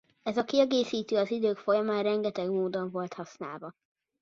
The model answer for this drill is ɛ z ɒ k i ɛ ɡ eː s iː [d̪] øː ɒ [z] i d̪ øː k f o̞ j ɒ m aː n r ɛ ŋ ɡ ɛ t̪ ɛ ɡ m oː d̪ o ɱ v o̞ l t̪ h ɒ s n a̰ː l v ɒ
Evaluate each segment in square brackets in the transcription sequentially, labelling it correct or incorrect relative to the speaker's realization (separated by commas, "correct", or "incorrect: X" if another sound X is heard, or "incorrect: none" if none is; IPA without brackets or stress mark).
incorrect: t̪, correct